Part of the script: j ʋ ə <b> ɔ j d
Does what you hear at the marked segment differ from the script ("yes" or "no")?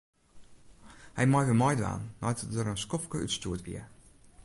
yes